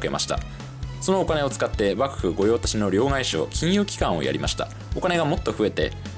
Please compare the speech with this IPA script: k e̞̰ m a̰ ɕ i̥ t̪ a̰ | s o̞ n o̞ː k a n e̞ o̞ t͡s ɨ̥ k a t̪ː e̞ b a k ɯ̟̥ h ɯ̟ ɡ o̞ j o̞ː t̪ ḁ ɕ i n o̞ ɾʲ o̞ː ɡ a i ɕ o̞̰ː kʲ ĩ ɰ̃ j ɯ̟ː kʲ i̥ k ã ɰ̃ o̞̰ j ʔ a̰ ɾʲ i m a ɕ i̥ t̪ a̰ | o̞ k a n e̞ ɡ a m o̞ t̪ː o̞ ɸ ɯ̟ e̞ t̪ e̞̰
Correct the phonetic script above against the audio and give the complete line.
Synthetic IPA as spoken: k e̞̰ m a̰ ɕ i̥ t̪ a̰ | s o̞ n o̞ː k a n e̞ o̞ t͡s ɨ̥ k a t̪ː e̞ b a k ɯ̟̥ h ɯ̟ ɡ o̞ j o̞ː t̪ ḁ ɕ i n o̞ ɾʲ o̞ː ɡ a i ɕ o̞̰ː kʲ ĩ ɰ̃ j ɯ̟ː kʲ i̥ k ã ɰ̃ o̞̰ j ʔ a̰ ɾʲ i m a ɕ i̥ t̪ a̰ | o̞ k a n e̞ ɡ a m o̞ t̪ː o̞ ɸ ɯ̟ e̞ t̪ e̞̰